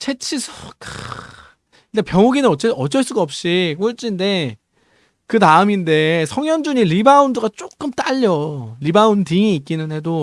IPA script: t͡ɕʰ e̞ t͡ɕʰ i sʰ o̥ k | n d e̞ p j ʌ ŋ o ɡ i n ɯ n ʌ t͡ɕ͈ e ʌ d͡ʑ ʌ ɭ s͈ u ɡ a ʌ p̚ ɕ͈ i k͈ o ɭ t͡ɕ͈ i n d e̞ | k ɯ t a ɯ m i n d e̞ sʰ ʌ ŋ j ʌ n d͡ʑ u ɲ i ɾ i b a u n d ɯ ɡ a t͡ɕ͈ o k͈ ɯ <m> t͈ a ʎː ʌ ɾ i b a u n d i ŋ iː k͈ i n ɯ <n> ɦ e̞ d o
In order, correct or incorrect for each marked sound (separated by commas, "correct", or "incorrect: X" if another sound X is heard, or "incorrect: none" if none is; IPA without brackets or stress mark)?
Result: correct, correct